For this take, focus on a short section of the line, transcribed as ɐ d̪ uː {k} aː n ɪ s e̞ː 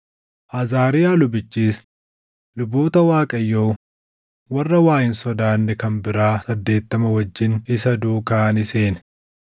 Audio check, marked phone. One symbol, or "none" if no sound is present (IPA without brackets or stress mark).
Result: k